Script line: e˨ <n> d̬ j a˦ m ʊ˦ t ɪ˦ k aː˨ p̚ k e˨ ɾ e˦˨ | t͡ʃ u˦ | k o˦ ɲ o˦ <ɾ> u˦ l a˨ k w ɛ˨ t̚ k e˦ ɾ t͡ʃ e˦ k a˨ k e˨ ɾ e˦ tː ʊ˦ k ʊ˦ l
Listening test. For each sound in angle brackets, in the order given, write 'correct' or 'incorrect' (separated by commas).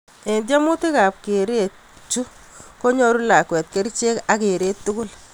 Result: correct, correct